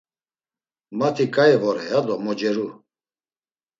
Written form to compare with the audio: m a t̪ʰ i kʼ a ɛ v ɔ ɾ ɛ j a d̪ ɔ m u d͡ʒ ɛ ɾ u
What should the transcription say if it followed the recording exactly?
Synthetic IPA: m a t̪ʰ i kʼ a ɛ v ɔ ɾ ɛ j a d̪ ɔ m ɔ d͡ʒ ɛ ɾ u